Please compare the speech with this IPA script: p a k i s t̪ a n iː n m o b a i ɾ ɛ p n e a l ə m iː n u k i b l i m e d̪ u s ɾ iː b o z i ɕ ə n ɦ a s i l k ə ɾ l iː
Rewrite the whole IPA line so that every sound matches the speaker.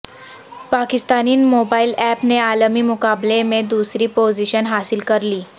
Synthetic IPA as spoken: p a k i s t̪ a n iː n m o b a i l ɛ p n e a l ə m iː m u k a b l e m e d̪ u s ɾ iː p o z i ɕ ə n ɦ a s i l k ə ɾ l iː